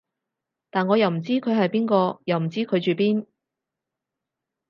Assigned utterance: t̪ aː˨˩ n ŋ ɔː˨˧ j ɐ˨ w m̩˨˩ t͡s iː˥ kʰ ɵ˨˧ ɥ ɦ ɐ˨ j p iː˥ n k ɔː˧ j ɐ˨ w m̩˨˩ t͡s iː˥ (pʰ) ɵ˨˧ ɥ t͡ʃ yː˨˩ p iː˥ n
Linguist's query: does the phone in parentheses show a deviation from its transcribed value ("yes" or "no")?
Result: yes